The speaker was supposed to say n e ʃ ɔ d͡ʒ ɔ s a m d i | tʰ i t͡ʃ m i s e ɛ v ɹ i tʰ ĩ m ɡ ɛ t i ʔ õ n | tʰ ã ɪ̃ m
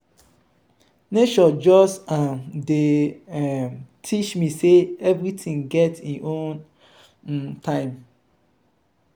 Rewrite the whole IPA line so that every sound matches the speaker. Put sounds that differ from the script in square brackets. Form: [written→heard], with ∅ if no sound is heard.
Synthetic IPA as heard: n e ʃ ɔ d͡ʒ ɔ s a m d [i→e] | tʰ i t͡ʃ m i s e ɛ v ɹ i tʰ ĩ [m→ŋ] ɡ ɛ t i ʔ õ n | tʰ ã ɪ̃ m